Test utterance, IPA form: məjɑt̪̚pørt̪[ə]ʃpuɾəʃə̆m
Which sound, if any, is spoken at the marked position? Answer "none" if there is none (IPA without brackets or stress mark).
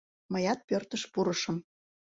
ə